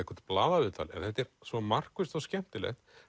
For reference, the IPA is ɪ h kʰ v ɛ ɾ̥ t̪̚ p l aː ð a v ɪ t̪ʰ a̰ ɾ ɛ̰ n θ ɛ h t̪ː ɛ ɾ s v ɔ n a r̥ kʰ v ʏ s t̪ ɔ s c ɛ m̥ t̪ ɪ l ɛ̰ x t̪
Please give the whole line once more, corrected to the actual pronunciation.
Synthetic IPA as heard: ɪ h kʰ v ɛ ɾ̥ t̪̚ p l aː ð a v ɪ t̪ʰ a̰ l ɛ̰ n θ ɛ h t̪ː ɛ ɾ s v ɔ m a r̥ k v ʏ s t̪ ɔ s c ɛ m̥ t̪ ɪ l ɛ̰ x t̪